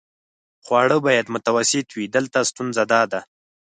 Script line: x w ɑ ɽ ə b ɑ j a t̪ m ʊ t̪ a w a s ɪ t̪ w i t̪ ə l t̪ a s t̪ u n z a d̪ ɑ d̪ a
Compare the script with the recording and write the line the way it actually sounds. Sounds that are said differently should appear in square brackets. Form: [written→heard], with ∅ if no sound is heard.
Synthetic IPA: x w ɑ ɽ ə b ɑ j a [t̪→d̪] m ʊ t̪ a w a s ɪ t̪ w i [t̪→d̪] ə l t̪ a s t̪ u n z a d̪ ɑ d̪ a